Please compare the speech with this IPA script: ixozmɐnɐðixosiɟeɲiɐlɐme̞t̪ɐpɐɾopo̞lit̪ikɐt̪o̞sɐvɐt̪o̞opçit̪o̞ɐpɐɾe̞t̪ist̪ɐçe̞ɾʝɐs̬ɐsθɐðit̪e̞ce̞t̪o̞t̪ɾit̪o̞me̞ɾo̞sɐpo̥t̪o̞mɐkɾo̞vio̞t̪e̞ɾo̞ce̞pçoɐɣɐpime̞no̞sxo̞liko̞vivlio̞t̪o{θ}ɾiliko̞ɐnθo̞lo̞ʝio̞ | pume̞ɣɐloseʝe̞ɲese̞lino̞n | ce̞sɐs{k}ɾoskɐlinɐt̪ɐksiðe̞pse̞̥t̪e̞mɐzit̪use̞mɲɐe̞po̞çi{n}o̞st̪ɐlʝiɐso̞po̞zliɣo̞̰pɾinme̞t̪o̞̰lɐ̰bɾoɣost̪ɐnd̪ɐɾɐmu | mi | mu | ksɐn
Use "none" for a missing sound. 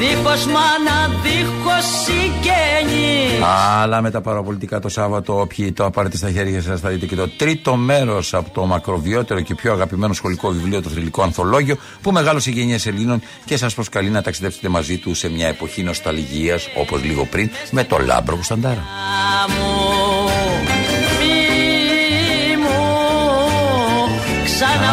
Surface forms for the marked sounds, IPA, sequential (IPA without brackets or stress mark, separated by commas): θ, p, n